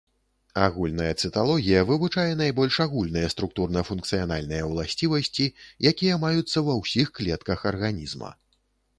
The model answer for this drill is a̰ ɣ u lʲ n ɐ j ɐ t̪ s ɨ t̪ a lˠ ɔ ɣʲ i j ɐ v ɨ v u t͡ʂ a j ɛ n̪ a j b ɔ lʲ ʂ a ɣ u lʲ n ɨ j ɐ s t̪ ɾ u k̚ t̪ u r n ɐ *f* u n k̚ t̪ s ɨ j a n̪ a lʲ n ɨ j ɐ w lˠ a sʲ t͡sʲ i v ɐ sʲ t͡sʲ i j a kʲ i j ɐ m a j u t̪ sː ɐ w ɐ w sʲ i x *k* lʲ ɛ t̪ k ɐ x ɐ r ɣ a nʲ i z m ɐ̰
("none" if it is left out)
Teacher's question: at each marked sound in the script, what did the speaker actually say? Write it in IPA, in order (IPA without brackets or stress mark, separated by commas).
f, k